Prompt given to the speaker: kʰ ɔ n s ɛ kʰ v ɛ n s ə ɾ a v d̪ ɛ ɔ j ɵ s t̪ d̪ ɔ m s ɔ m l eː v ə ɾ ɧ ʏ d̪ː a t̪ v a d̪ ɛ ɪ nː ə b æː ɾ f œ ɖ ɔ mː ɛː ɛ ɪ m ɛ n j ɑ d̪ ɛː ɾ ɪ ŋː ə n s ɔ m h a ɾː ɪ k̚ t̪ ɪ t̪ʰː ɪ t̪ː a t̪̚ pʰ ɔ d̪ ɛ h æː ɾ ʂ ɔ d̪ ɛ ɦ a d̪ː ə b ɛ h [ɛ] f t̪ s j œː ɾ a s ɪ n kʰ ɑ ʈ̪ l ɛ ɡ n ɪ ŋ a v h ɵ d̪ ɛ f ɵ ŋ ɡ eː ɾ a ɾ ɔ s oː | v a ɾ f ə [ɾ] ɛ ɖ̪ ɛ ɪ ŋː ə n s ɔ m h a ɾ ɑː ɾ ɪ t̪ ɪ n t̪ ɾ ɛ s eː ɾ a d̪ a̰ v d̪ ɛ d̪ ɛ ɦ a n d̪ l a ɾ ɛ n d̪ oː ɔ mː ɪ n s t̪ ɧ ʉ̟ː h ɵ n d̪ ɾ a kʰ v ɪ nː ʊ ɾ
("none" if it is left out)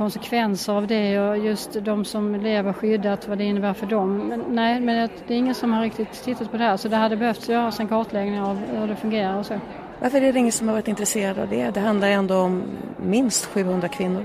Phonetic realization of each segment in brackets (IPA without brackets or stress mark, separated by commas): œ, ɾ